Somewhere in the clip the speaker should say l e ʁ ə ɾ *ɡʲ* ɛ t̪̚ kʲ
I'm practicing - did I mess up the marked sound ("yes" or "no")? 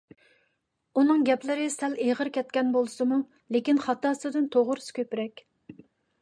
yes